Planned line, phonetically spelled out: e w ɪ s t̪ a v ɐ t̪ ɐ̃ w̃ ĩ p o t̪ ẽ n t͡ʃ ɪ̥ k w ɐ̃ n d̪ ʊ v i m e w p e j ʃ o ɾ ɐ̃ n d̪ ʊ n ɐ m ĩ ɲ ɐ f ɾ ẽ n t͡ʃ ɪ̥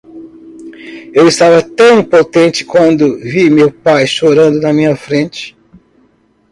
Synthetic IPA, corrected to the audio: e w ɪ s t̪ a v ɐ t̪ ɐ̃ w̃ ĩ p o t̪ ẽ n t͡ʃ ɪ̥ k w ɐ̃ n d̪ ʊ v i m e w p a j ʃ o ɾ ɐ̃ n d̪ ʊ n ɐ m ĩ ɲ ɐ f ɾ ẽ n t͡ʃ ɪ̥